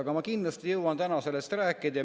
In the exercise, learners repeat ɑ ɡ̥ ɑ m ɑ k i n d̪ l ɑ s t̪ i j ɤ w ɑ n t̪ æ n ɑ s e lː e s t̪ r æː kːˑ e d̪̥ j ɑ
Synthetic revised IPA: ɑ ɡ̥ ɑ m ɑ k i n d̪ l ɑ s t̪ i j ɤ w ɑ n t̪ æ n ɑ s e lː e s t̪ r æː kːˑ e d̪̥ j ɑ